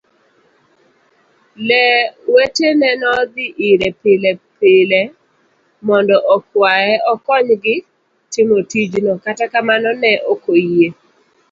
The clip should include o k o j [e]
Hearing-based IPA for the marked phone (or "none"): e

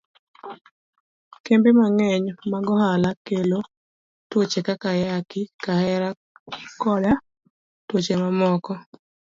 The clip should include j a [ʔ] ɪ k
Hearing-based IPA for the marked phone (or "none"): k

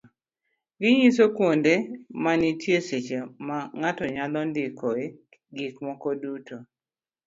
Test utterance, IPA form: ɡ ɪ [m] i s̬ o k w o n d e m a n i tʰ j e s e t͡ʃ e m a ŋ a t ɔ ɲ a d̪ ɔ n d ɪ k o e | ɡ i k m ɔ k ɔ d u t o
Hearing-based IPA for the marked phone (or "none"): ɲ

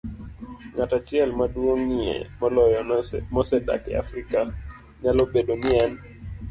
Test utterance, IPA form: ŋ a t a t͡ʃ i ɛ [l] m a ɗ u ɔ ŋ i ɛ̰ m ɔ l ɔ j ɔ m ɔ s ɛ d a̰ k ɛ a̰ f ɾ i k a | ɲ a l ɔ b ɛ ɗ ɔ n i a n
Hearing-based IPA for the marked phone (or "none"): l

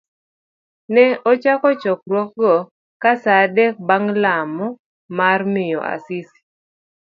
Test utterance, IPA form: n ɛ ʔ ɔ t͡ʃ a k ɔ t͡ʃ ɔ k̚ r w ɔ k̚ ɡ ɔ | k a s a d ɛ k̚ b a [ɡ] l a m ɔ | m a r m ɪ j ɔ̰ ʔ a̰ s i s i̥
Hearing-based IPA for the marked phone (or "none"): ŋ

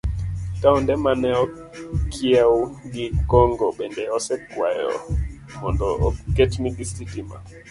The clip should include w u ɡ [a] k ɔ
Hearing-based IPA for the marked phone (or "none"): i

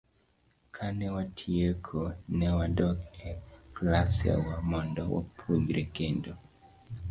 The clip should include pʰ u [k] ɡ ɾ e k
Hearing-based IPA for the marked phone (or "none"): none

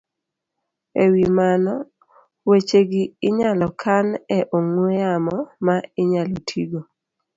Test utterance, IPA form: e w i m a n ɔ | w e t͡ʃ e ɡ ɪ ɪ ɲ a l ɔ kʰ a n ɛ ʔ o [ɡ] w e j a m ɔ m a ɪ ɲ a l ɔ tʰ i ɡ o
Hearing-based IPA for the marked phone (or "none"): ŋ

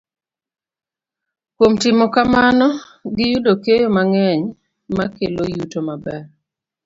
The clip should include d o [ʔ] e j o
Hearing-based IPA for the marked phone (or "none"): k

